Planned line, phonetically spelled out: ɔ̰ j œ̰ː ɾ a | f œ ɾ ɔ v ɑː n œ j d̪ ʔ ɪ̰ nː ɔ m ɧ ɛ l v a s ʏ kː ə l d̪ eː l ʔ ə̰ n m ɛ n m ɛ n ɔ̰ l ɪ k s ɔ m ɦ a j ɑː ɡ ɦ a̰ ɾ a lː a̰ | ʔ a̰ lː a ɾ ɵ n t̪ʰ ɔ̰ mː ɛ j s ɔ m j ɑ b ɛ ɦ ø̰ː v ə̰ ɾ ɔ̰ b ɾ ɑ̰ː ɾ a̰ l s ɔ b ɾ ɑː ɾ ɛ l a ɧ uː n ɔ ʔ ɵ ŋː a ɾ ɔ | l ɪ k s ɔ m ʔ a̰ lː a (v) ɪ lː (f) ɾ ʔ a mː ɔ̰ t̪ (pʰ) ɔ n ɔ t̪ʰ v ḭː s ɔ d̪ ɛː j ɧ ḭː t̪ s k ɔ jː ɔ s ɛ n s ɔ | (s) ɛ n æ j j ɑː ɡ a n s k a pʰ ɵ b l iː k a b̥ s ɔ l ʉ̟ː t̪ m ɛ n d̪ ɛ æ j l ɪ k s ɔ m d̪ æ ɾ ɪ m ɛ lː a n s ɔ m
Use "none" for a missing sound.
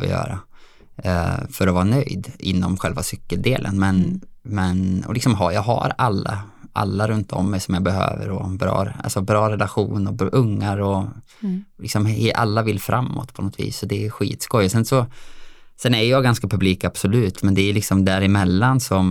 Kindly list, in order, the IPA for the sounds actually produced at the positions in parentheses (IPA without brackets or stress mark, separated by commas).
v, f, pʰ, s